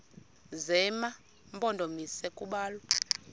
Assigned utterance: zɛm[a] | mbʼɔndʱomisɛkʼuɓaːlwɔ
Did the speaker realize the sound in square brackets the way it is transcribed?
yes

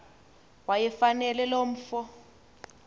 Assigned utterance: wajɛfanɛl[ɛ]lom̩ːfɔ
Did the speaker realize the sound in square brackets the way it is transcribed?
yes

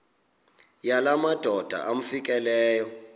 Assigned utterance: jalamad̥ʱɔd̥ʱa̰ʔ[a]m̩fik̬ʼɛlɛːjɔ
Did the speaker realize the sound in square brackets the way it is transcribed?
yes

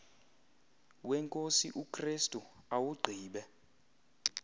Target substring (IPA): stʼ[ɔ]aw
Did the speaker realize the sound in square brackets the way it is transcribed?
no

